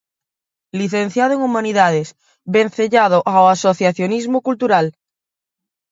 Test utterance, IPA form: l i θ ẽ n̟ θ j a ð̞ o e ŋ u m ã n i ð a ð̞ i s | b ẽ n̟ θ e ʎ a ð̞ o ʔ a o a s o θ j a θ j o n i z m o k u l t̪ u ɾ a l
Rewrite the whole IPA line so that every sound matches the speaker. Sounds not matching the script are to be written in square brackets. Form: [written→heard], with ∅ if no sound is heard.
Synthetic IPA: l i θ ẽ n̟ θ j a ð̞ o e ŋ u m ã n i ð a ð̞ [i→e] s | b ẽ n̟ θ e ʎ a ð̞ o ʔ a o a s o θ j a θ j o n i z m o k u l t̪ u ɾ a l